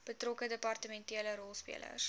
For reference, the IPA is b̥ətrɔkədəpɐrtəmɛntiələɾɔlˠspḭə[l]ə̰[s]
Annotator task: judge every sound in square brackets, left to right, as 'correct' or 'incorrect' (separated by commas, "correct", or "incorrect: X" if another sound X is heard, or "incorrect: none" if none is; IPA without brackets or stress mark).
correct, correct